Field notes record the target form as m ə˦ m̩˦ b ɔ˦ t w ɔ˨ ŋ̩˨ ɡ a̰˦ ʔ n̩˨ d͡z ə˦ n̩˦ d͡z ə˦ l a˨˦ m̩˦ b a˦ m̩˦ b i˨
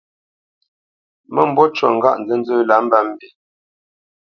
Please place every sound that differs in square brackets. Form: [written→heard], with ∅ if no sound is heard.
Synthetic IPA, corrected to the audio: m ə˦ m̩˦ b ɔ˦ [t→t͡ʃ] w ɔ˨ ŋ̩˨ ɡ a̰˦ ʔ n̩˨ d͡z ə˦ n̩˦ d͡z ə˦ l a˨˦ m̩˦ b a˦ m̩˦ b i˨